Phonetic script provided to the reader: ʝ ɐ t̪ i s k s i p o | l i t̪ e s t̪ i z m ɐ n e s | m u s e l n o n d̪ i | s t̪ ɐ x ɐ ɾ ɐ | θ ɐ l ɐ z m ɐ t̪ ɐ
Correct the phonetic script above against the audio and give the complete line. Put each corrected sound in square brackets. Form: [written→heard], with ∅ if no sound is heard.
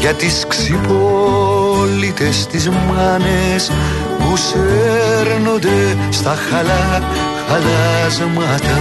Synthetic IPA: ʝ ɐ t̪ i s k s i p o | l i t̪ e s t̪ i z m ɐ n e s | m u s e [l→ɾ] n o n d̪ [i→e] | s t̪ ɐ x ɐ [ɾ→l] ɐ | [θ→x] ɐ l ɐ z m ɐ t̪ ɐ